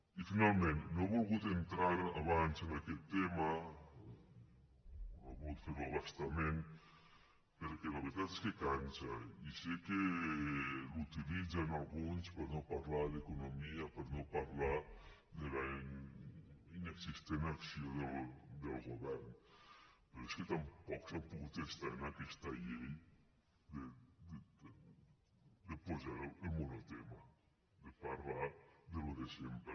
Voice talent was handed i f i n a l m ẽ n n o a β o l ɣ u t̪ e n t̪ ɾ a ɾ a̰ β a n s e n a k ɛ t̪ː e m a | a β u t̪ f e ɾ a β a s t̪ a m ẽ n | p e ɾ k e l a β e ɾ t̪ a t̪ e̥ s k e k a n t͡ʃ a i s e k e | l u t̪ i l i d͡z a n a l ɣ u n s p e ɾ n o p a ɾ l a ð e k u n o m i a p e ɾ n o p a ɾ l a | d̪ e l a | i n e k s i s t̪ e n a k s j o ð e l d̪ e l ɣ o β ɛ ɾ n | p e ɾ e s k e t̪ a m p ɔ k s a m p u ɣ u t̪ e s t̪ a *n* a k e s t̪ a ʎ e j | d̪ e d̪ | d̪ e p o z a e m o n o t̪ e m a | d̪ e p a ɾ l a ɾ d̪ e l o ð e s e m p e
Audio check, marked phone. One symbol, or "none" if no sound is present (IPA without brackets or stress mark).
n